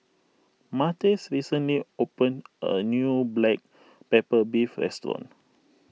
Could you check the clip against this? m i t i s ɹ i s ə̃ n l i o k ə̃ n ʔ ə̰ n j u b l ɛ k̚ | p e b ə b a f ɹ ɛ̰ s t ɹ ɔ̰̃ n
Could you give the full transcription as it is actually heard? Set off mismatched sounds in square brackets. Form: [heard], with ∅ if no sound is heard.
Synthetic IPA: m [a] t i s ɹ i s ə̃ n l i o [p] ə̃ n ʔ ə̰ n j u b l ɛ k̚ | p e [p] ə b [i] f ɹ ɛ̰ s t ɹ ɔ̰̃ n